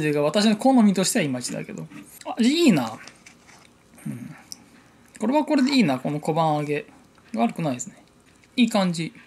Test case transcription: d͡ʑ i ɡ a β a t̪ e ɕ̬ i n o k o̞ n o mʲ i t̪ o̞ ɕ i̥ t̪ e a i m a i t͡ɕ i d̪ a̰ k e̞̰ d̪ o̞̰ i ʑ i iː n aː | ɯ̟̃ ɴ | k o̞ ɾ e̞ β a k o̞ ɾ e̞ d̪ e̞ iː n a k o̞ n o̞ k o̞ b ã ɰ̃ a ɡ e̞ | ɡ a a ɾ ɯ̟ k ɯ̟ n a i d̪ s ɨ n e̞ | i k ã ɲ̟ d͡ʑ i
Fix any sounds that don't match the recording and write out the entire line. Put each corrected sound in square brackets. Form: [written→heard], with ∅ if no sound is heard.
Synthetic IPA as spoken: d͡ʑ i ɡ a β a t̪ [e→a] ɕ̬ i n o k o̞ n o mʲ i t̪ o̞ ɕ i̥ t̪ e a i m a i t͡ɕ i d̪ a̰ k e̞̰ d̪ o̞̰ [i→a] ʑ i iː n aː | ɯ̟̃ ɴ | k o̞ ɾ e̞ β a k o̞ ɾ e̞ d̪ e̞ iː n a k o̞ n o̞ k o̞ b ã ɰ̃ a ɡ e̞ | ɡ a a ɾ ɯ̟ k ɯ̟ n a i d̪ s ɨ n e̞ | [i→iː] k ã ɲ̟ d͡ʑ i